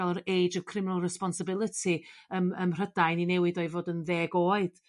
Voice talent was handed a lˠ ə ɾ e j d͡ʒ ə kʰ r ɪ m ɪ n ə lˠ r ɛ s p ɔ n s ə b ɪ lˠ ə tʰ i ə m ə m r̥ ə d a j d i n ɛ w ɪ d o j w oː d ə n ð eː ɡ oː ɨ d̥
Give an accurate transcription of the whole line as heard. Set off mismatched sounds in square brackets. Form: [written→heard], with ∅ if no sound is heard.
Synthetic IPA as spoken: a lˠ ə ɾ e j d͡ʒ ə kʰ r ɪ m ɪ n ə lˠ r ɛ s p ɔ n s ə b ɪ lˠ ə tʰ i ə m ə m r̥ ə d a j [d→n] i n ɛ w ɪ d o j [w→v] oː d ə n ð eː ɡ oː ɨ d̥